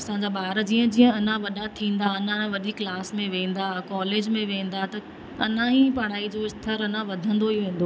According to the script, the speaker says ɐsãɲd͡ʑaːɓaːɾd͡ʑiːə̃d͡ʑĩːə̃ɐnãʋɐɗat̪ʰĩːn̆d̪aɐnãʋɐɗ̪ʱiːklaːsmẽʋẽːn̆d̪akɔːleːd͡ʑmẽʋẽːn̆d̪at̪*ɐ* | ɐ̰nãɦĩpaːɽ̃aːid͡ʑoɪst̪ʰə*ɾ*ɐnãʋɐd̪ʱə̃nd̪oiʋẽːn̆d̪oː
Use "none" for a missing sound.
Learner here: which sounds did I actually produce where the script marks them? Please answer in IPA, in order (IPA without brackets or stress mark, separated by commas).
ɐ, ɾ